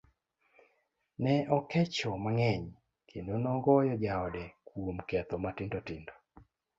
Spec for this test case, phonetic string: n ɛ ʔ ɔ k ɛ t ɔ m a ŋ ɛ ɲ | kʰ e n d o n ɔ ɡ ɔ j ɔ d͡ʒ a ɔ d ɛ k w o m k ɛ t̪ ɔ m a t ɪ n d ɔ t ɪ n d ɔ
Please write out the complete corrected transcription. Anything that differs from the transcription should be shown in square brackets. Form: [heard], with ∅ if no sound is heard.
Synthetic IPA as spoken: n ɛ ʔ ɔ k ɛ [t͡ʃ] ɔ m a ŋ ɛ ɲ | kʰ e n d o n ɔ ɡ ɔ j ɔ d͡ʒ a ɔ d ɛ k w o m k ɛ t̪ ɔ m a t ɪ n d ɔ t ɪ n d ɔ